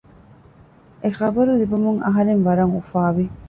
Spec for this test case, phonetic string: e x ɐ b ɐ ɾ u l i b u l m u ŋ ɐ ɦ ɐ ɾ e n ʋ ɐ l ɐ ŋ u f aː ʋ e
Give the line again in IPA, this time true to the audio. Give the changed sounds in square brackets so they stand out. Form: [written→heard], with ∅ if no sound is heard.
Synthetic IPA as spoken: e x ɐ b ɐ ɾ u l i b u [l→∅] m u ŋ ɐ ɦ ɐ ɾ e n ʋ ɐ [l→ɾ] ɐ ŋ u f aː ʋ [e→i]